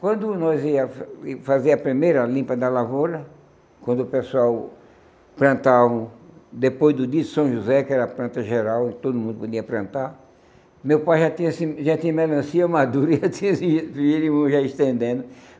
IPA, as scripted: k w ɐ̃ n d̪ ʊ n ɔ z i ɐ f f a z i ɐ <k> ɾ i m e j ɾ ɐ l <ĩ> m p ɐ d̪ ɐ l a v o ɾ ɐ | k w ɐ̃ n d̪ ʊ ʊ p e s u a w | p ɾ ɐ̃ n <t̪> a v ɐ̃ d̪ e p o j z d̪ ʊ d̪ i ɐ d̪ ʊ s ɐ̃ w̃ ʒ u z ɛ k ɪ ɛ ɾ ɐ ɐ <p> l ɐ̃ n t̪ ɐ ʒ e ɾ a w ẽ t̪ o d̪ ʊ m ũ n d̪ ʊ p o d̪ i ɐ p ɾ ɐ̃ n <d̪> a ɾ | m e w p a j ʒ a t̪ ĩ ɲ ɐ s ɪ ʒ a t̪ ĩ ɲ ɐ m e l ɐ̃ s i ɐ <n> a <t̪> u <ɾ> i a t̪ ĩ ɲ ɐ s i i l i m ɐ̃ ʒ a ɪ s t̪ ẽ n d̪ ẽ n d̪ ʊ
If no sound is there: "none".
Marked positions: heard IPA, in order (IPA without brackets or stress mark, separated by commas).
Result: p, ĩ, t̪, p, t̪, m, d̪, ɾ